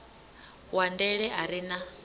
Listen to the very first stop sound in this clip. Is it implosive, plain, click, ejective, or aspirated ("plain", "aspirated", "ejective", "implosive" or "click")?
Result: plain